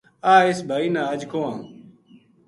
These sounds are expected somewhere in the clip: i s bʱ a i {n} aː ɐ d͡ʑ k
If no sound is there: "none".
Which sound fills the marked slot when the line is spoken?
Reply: n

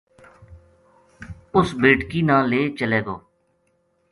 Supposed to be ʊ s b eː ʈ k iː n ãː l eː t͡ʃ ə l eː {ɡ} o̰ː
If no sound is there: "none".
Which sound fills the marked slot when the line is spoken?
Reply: ɡ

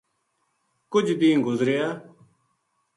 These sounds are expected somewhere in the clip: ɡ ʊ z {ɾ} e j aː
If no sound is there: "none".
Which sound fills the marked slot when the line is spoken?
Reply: ɾ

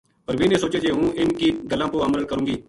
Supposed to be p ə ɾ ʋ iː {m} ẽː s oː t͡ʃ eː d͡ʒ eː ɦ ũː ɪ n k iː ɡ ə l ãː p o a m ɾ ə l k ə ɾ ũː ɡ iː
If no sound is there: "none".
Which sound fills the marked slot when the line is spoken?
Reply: n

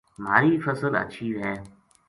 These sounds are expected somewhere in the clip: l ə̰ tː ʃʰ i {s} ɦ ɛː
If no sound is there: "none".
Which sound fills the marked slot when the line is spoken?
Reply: none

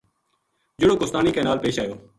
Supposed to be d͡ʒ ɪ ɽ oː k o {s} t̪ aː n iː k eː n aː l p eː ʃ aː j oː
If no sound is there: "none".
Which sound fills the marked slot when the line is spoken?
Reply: s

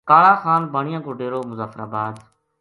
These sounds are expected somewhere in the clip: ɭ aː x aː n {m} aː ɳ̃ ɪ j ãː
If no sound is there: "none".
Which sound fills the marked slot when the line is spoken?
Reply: b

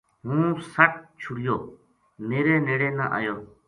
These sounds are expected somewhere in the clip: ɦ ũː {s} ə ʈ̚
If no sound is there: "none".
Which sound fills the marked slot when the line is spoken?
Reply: s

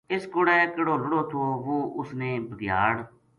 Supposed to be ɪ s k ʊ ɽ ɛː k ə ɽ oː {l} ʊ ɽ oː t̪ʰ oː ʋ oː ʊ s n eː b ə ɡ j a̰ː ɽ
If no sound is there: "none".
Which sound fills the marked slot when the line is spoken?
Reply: l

